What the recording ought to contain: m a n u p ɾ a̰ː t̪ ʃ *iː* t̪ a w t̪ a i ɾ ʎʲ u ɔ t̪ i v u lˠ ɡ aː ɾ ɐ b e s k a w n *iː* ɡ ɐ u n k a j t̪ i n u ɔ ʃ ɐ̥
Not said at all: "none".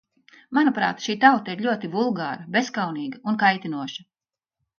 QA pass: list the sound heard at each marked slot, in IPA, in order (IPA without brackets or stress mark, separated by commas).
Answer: iː, iː